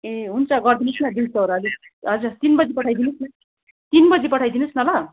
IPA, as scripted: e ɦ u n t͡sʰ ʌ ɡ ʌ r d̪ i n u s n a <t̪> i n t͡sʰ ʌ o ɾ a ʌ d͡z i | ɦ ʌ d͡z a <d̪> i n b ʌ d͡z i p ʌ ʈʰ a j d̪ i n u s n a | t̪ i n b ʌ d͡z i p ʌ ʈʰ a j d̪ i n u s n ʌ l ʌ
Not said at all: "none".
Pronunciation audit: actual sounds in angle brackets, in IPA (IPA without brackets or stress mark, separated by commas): d̪, t̪